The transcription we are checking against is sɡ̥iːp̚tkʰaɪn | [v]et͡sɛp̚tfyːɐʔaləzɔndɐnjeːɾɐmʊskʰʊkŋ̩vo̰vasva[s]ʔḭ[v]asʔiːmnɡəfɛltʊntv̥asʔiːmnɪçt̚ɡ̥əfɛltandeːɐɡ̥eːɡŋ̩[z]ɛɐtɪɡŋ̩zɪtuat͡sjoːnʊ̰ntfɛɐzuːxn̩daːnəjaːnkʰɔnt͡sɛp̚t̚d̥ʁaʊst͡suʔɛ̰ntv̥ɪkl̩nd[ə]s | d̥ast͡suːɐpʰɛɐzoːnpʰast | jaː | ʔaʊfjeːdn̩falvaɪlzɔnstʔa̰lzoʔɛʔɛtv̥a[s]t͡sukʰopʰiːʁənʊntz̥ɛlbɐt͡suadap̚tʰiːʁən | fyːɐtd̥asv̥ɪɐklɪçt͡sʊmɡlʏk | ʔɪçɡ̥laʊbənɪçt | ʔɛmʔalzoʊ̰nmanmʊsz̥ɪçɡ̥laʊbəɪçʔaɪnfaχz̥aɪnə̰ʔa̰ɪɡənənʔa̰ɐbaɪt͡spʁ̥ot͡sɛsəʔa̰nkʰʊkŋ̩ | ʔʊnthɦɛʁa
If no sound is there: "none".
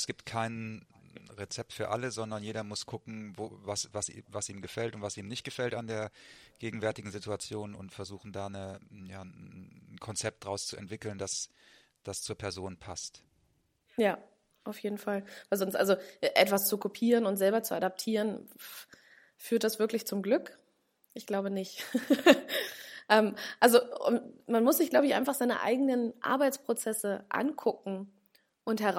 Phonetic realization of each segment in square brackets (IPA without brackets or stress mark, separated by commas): ʁ, s, v, v, a, s